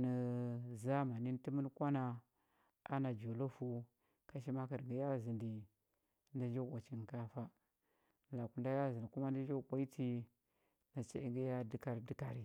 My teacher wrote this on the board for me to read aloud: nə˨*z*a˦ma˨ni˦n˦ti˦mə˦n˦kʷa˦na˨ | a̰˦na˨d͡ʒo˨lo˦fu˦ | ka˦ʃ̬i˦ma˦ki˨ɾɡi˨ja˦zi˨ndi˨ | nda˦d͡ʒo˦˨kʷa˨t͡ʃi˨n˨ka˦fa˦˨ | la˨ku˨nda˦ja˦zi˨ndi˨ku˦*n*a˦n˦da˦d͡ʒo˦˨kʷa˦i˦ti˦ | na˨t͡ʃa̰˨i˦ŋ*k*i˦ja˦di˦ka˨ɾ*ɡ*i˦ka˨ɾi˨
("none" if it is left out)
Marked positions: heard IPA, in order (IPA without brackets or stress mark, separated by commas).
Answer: z, m, ɡ, d